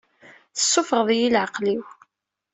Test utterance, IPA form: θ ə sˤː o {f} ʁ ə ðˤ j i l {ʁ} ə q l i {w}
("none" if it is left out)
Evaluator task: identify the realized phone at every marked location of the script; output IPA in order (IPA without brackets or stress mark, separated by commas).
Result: f, ʕ, w